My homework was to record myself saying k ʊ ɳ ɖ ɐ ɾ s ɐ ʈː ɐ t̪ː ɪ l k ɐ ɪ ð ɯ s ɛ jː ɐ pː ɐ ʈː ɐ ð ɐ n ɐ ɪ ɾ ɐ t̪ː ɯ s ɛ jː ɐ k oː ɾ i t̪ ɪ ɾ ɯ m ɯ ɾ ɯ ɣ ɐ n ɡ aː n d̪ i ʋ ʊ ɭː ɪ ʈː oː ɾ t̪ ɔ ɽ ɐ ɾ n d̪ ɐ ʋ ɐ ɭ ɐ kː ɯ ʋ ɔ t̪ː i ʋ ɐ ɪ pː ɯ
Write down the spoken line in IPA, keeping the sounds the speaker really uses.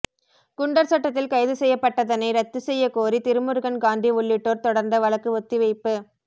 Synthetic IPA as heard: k ʊ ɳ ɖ ɐ ɾ s ɐ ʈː ɐ t̪ː ɪ l k ɐ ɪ ð ɯ s ɛ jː ɐ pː ɐ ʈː ɐ ð ɐ n ɐ ɪ ɾ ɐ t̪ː ɯ s ɛ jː ɐ k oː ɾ i t̪ ɪ ɾ ɯ m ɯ ɾ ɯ ɣ ɐ n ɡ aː n d̪ i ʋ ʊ ɭː ɪ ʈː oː ɾ t̪ ɔ ɽ ɐ ɾ n d̪ ɐ ʋ ɐ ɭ ɐ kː ɯ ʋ ɔ t̪ː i ʋ ɐ ɪ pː ɯ